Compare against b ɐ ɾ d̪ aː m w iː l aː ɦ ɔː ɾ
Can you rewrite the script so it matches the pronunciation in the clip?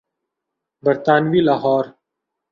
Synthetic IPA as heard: b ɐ ɾ t̪ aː n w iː l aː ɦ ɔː ɾ